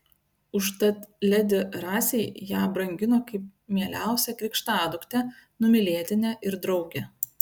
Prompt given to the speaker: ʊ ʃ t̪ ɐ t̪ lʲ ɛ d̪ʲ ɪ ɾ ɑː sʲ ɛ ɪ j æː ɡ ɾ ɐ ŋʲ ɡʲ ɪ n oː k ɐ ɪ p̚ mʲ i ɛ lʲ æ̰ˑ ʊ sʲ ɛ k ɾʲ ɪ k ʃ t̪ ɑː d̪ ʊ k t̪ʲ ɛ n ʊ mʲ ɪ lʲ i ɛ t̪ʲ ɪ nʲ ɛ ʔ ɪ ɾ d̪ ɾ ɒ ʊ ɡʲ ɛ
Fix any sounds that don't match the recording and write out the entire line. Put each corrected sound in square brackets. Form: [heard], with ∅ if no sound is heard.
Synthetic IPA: ʊ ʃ t̪ ɐ t̪ lʲ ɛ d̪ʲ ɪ ɾ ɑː sʲ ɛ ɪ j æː [b] ɾ ɐ ŋʲ ɡʲ ɪ n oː k ɐ ɪ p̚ mʲ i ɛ lʲ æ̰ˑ ʊ sʲ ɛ k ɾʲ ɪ k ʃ t̪ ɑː d̪ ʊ k t̪ʲ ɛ n ʊ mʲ ɪ lʲ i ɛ t̪ʲ ɪ nʲ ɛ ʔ ɪ ɾ d̪ ɾ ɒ ʊ ɡʲ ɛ